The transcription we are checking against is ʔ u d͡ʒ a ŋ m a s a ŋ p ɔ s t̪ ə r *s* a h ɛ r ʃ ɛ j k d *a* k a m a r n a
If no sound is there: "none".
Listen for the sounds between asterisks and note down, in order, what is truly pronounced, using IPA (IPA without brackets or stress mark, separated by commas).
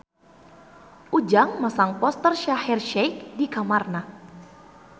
ʃ, i